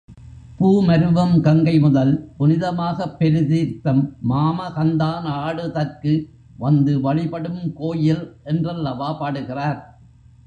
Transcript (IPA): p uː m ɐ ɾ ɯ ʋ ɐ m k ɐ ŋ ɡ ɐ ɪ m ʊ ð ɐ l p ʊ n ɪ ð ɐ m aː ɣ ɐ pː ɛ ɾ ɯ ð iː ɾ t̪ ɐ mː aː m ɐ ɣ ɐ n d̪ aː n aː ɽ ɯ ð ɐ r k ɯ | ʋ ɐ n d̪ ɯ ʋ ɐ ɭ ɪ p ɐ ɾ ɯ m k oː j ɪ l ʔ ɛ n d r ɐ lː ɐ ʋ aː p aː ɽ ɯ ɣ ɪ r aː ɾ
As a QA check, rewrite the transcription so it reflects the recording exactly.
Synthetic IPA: p uː m ɐ ɾ ɯ ʋ ɐ m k ɐ ŋ ɡ ɐ ɪ m ʊ ð ɐ l p ʊ n ɪ ð ɐ m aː ɣ ɐ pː ɛ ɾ ɯ ð iː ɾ t̪ ɐ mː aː m ɐ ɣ ɐ n d̪ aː n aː ɽ ɯ ð ɐ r k ɯ | ʋ ɐ n d̪ ɯ ʋ ɐ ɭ ɪ p ɐ ɽ ɯ m k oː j ɪ l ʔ ɛ n d r ɐ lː ɐ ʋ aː p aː ɽ ɯ ɣ ɪ r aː ɾ